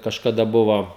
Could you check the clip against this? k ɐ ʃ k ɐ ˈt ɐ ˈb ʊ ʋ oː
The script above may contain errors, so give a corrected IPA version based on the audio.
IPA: k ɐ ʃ k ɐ ˈd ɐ ˈb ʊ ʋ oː